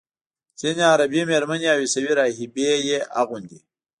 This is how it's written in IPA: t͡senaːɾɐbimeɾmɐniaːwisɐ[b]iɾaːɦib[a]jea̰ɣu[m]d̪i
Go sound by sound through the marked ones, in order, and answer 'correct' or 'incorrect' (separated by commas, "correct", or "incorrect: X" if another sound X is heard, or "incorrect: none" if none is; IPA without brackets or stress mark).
incorrect: w, incorrect: e, incorrect: n